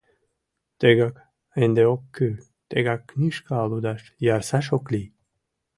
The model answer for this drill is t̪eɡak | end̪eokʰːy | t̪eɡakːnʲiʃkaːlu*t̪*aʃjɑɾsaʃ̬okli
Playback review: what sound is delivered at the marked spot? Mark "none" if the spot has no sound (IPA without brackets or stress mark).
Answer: d̪